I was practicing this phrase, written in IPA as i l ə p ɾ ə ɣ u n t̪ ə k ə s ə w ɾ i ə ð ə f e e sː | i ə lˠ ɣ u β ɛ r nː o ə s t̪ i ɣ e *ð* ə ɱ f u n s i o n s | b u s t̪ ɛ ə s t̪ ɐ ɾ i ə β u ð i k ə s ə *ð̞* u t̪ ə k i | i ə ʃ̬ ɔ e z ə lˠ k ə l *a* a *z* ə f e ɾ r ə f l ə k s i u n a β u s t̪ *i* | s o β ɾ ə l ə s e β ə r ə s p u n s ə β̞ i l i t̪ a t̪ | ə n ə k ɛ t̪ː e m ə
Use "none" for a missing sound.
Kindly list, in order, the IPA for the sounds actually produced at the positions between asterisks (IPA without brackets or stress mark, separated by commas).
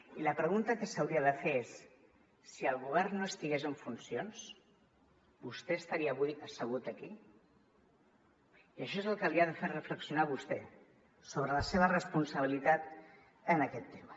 z, ɣ̞, i, ð, ɛ